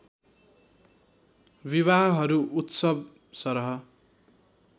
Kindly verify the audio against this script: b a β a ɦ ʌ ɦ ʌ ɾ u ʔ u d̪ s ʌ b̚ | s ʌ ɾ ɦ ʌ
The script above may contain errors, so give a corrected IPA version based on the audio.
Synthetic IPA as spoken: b i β a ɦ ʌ ɦ ʌ ɾ u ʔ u t̪ s ʌ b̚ | s ʌ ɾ ɦ ʌ